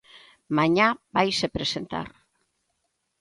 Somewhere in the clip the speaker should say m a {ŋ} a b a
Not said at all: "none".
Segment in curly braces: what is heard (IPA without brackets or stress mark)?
ɲ